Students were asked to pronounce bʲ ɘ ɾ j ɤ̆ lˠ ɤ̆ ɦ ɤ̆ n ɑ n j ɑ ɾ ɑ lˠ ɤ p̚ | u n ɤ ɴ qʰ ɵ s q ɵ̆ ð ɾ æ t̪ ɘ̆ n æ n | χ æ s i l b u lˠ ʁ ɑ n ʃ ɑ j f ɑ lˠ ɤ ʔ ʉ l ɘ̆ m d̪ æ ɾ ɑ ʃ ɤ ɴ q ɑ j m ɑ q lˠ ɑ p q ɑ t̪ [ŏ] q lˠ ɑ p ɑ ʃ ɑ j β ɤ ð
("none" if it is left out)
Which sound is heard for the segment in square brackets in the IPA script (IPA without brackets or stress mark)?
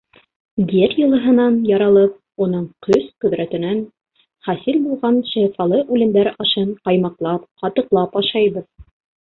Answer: ɤ̆